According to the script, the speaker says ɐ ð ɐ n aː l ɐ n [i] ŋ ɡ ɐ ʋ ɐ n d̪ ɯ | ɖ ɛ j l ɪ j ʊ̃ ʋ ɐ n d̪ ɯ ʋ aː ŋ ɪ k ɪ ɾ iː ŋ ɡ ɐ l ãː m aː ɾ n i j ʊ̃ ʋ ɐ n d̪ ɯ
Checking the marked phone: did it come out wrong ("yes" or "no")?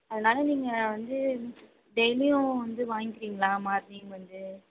yes